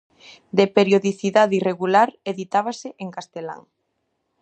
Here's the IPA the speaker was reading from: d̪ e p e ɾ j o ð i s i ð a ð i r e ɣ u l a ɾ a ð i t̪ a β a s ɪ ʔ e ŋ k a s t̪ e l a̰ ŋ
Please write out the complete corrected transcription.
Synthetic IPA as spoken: d̪ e p e ɾ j o ð i θ i ð a ð i r e ɣ u l a ɾ e ð i t̪ a β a s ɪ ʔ e ŋ k a s t̪ e l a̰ ŋ

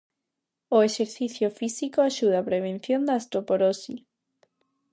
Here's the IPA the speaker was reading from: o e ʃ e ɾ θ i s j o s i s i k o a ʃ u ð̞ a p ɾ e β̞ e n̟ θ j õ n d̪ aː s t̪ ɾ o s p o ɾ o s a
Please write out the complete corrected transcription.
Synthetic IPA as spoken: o e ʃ e ɾ θ i θ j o f i s i k o a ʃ u ð̞ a p ɾ e β̞ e n̟ θ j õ n d̪ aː s t̪ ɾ o p o ɾ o s i

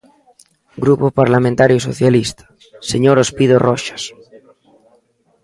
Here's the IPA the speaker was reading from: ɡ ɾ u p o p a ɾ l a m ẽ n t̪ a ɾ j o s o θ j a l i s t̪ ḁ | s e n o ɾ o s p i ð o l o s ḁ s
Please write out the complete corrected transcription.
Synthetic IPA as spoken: ɡ ɾ u p o p a ɾ l a m ẽ n t̪ a ɾ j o s o θ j a l i s t̪ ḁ | s e ɲ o ɾ o s p i ð o r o ʃ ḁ s

